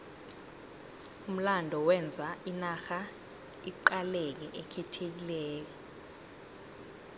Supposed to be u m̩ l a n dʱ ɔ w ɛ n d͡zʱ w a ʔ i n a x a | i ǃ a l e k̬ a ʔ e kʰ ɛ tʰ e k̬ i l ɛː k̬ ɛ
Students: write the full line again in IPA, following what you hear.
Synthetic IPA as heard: u m̩ l a n dʱ ɔ w ɛ n d͡zʱ w a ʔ i n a x a | i ǃ a l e k̬ ɛ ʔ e kʰ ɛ tʰ e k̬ i l ɛː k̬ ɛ

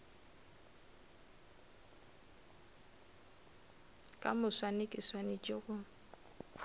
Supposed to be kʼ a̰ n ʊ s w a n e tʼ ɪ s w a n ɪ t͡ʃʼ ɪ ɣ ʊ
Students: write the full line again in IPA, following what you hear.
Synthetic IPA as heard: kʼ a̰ m ʊ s w a n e kʼ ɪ s w a n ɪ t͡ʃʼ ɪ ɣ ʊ

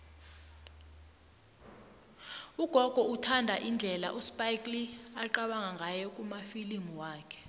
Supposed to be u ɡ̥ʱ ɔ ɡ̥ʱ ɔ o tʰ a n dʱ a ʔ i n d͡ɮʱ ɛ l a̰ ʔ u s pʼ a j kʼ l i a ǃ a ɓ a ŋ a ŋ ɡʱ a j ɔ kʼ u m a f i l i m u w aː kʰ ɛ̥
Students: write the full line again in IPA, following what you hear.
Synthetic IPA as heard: u ɡ̥ʱ ɔ ɡ̥ʱ ɔ u tʰ a n dʱ a ʔ i n d͡ɮʱ ɛ l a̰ ʔ u s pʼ a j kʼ l i a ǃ a ɓ a ŋ a ŋ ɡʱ a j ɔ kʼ u m a f i l i m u w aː kʰ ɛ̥

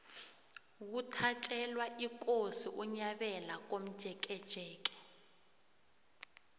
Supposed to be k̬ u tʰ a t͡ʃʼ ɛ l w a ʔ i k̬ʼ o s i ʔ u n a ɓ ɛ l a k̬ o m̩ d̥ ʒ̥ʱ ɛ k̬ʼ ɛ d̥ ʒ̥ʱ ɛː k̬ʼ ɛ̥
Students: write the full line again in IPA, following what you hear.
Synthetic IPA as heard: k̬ u tʰ a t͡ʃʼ ɛ l w a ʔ i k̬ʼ o s i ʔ u ɲ a ɓ ɛ l a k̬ o m̩ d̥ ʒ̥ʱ ɛ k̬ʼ ɛ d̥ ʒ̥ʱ ɛː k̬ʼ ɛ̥

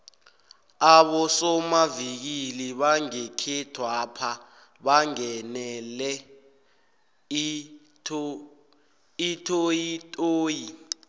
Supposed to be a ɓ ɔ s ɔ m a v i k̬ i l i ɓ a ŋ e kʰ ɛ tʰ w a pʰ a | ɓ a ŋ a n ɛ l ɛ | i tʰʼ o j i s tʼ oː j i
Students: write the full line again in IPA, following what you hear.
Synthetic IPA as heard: a ɓ ɔ s ɔ m a v i k̬ i l i ɓ a ŋ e kʰ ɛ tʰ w a pʰ a | ɓ a ŋ ɛ n ɛ l ɛ | i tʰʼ o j i tʼ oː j i

